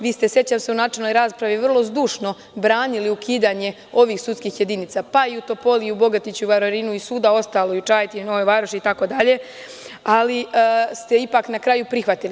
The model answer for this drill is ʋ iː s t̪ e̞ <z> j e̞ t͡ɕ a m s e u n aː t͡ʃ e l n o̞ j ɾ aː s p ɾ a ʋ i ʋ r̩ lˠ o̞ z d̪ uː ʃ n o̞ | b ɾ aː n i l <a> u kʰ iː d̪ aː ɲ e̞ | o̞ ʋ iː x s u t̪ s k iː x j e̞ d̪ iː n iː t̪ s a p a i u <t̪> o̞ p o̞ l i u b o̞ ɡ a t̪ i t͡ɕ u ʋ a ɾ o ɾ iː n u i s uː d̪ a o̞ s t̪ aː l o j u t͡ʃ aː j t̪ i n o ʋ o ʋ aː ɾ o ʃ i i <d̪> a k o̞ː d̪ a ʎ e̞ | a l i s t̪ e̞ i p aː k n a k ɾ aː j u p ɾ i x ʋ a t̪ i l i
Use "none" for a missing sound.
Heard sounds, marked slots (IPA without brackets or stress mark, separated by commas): s, i, t̪, t̪